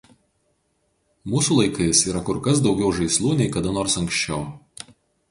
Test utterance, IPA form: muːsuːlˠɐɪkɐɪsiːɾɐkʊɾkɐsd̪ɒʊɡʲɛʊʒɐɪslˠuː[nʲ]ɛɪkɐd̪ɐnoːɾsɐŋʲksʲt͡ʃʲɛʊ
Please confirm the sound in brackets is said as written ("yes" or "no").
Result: yes